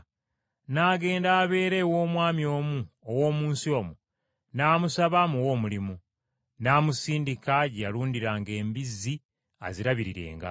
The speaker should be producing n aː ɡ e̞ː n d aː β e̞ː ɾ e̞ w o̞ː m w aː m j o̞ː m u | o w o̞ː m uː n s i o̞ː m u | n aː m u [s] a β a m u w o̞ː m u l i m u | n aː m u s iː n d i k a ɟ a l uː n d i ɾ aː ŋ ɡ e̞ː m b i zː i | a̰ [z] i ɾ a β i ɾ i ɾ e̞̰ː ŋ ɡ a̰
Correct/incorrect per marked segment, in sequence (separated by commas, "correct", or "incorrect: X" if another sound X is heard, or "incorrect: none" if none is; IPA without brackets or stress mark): correct, correct